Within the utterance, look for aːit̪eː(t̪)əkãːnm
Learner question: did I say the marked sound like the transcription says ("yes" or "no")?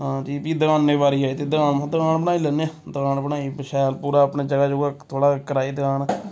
no